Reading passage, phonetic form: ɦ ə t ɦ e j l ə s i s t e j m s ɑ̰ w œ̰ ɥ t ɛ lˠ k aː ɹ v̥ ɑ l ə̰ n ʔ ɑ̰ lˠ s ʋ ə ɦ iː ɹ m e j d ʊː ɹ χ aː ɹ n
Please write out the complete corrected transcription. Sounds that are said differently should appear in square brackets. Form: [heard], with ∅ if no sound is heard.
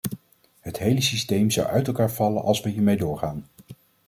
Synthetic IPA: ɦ ə t ɦ e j l ə s i s t e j m [z] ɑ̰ w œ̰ ɥ t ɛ lˠ k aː ɹ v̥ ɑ l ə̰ n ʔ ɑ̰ lˠ s ʋ ə ɦ iː ɹ m e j d ʊː ɹ χ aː [∅] n